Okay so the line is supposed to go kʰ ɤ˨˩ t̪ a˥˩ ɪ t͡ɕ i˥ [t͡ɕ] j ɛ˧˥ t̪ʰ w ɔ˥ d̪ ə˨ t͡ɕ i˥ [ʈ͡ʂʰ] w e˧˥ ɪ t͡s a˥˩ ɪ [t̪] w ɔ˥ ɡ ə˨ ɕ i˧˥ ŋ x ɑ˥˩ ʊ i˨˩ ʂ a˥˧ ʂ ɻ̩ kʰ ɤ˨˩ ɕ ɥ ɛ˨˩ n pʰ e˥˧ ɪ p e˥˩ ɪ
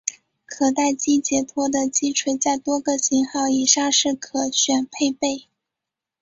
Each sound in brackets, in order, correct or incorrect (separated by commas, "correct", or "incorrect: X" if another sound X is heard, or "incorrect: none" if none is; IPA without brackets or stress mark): correct, correct, correct